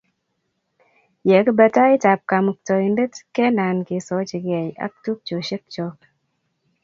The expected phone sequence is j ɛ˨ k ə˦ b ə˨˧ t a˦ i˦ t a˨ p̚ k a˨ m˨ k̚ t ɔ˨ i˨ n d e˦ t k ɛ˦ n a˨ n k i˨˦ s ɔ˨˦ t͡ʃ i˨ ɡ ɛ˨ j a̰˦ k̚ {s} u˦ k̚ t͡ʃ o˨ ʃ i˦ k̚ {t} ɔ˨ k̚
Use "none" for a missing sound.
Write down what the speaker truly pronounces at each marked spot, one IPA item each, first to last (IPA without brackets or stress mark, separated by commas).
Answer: t, t͡ʃ